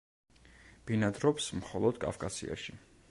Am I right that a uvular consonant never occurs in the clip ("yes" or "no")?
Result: no